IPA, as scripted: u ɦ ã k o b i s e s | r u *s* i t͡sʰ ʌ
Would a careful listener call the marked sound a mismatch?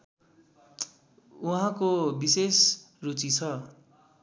yes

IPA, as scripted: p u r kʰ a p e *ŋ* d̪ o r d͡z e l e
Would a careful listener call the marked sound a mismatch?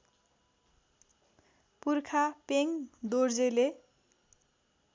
no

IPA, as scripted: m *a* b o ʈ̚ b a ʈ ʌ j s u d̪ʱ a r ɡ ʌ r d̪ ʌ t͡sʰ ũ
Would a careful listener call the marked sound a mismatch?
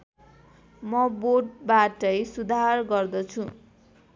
yes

